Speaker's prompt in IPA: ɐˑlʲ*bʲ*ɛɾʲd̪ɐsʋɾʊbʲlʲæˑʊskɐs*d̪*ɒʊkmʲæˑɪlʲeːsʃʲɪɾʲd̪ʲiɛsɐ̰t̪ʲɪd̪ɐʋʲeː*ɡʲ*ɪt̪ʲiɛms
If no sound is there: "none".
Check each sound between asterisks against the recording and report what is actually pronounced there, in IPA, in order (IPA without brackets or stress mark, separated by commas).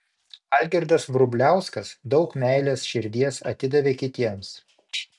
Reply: ɡʲ, d̪, kʲ